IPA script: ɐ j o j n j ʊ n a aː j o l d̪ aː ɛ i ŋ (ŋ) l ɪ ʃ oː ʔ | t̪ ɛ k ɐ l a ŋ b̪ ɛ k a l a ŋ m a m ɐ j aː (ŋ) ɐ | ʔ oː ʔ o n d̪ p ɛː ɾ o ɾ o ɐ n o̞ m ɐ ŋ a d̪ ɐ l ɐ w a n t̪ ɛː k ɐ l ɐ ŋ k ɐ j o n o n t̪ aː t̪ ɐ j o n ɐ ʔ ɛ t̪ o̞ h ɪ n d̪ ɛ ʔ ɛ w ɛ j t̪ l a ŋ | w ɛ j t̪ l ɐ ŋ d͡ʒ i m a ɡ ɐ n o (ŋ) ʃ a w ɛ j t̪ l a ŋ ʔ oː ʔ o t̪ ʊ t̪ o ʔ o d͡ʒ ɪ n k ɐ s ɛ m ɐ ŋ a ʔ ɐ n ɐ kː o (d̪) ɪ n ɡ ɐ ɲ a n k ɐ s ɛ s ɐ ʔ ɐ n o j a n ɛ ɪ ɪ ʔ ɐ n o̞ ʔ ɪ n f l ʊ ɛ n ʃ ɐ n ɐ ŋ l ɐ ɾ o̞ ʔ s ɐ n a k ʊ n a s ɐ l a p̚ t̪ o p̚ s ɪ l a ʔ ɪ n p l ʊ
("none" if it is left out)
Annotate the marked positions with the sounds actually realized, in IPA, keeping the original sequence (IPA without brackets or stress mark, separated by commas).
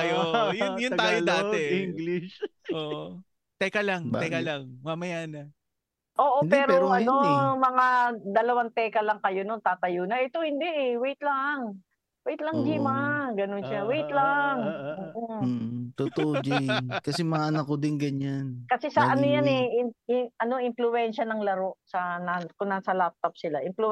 ɡ, n, n, d̪